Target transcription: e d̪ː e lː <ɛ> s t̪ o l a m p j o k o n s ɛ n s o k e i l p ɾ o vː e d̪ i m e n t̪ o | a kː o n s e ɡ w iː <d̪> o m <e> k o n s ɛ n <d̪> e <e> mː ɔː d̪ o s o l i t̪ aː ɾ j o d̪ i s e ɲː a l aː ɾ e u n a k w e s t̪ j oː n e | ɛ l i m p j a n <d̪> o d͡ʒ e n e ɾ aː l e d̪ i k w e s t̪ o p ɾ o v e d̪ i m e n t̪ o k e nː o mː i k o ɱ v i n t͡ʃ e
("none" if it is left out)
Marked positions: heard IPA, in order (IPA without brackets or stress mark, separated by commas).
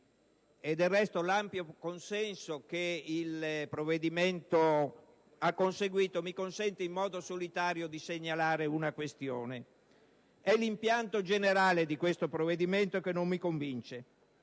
ɛ, t̪, i, t̪, i, t̪